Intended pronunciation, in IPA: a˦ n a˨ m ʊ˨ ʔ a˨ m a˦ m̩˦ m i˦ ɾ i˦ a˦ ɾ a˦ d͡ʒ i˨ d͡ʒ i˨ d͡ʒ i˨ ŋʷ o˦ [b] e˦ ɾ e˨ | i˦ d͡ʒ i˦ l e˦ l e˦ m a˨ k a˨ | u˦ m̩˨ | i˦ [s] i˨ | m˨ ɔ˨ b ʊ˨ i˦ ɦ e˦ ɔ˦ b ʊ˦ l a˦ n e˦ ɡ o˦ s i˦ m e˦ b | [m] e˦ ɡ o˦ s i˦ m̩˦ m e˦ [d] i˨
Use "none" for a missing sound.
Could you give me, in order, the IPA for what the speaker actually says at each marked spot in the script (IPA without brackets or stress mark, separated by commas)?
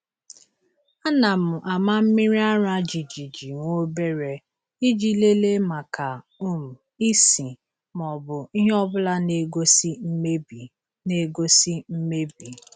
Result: b, s, n, b